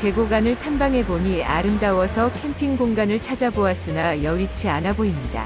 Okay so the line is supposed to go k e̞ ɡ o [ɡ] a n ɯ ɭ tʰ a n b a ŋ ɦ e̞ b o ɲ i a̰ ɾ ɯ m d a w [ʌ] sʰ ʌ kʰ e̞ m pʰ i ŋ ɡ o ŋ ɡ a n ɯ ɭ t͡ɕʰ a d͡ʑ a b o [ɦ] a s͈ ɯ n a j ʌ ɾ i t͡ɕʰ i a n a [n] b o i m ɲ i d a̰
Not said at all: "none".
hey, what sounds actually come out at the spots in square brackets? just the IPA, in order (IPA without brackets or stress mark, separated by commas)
ɡ, ʌ, none, none